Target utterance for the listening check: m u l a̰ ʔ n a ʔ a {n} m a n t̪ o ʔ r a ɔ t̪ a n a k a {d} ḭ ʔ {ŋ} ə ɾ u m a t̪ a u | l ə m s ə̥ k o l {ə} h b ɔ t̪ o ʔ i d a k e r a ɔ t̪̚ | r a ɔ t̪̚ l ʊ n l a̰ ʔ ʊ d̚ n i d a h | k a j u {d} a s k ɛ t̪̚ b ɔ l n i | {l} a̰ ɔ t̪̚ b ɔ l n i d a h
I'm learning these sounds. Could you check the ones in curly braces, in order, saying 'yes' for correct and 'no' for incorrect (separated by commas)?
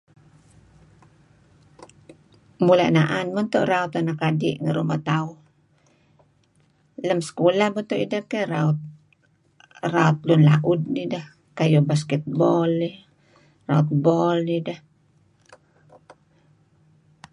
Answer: yes, yes, yes, no, no, no